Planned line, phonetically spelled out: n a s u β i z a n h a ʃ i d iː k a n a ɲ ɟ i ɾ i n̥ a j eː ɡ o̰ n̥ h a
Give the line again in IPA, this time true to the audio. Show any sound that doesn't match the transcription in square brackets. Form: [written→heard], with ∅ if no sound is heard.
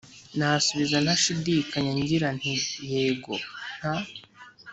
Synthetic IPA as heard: n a s u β i z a n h a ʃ i d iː k a [n→ɲ] a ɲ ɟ i ɾ [i→a] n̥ [a→i] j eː ɡ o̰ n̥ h a